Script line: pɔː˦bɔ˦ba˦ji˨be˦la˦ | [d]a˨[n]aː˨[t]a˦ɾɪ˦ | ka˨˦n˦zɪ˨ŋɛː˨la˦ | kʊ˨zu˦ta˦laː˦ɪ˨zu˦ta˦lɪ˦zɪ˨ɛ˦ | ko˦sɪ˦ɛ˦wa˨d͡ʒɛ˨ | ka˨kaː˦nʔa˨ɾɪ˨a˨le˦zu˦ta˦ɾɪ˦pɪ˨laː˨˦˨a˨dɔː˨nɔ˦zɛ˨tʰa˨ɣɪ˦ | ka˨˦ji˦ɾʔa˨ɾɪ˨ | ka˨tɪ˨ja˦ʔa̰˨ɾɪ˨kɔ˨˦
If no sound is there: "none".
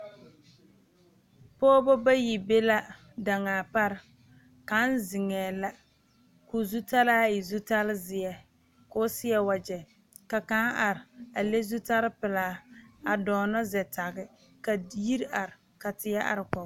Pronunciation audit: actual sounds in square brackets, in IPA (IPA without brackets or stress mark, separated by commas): d, ŋ, p